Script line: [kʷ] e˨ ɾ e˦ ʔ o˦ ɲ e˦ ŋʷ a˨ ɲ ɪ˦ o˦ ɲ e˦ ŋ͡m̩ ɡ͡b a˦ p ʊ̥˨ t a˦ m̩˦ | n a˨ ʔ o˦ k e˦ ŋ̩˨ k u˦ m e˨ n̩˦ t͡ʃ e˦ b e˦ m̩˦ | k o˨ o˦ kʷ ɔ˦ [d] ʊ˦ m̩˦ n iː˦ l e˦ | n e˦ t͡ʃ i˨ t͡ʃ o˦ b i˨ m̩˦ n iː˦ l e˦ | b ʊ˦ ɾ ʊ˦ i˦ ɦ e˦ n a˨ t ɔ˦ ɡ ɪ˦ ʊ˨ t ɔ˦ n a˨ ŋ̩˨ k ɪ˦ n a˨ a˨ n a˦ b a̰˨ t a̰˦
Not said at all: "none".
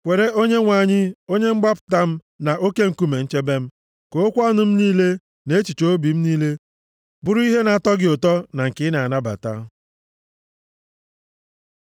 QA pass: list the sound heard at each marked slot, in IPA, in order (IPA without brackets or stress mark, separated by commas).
kʷ, n